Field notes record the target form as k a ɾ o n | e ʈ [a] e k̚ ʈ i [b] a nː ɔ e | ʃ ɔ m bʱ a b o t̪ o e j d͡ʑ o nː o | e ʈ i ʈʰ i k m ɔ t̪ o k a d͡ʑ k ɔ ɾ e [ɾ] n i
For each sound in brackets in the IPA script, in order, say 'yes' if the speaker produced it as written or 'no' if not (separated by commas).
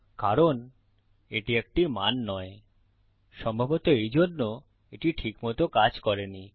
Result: no, no, no